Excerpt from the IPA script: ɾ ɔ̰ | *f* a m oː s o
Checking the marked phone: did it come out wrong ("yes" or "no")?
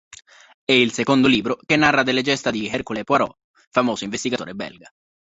no